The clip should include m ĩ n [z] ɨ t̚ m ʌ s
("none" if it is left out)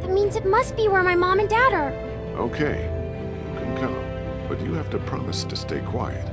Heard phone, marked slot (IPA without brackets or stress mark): z